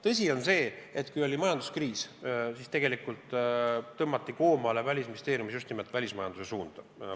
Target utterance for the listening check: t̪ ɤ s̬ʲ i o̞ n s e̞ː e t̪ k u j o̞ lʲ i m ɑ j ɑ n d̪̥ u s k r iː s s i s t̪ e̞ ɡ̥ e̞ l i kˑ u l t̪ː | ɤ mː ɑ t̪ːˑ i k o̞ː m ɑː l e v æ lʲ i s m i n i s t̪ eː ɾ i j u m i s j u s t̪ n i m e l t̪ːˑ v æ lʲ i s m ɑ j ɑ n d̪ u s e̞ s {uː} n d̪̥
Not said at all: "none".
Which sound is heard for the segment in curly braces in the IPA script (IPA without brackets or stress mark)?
uː